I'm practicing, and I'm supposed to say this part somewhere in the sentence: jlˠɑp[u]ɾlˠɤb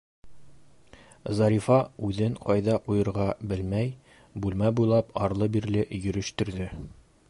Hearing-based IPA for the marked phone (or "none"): ɒ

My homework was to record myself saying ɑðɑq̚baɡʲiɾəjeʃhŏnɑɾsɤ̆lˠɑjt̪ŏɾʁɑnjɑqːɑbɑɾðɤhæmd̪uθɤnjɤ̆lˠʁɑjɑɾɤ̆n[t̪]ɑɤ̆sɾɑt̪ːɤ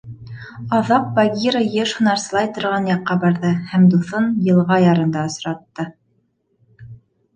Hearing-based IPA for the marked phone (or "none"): d̪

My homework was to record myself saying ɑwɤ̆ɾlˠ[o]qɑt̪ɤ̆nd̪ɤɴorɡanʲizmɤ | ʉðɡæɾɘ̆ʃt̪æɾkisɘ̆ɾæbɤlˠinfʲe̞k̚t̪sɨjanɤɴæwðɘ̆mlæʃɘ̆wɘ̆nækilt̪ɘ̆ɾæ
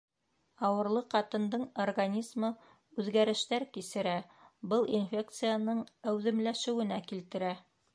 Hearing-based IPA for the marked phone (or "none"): ɤ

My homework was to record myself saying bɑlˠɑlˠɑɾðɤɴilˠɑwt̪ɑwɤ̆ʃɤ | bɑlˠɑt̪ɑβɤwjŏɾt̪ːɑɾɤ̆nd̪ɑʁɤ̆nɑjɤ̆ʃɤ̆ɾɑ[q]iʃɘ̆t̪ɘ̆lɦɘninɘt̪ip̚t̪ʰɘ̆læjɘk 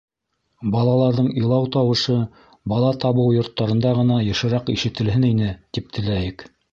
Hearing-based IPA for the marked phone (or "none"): q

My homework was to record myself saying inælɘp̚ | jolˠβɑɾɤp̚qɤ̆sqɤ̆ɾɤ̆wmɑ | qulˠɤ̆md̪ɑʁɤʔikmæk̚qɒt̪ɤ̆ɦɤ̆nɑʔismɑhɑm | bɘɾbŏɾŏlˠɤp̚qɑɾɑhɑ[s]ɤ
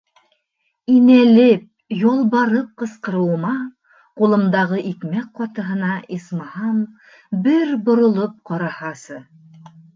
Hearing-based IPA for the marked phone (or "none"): s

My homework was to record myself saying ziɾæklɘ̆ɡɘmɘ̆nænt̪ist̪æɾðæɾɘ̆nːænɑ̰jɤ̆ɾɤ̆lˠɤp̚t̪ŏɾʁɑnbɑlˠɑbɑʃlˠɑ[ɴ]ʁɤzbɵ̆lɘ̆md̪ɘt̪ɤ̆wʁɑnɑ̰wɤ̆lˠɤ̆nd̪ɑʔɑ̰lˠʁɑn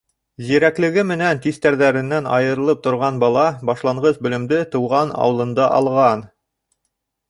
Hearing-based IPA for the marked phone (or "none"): ɴ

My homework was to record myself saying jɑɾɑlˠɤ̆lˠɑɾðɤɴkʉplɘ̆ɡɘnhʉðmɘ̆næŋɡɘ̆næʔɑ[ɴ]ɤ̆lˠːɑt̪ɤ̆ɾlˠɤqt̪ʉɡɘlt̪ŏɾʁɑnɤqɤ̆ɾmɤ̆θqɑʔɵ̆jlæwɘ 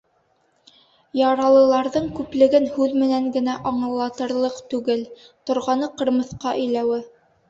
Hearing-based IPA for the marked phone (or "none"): ɴ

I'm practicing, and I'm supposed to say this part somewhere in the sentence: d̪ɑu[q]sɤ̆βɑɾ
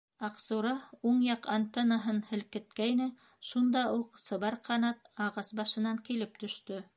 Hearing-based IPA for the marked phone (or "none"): q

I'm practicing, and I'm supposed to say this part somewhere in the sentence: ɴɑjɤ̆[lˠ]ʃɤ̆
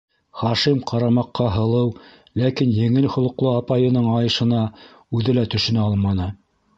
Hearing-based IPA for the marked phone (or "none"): none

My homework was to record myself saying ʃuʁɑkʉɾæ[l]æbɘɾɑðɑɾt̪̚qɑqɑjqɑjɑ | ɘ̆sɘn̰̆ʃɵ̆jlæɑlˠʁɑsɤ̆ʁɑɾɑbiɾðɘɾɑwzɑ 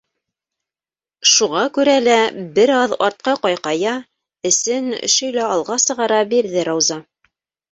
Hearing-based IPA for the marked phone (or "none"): l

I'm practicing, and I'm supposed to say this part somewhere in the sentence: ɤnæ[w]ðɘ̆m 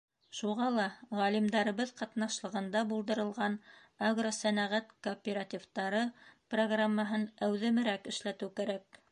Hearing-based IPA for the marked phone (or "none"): w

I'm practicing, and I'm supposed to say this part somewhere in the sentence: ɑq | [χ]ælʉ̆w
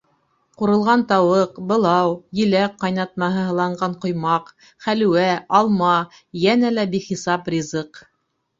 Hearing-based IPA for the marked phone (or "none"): χ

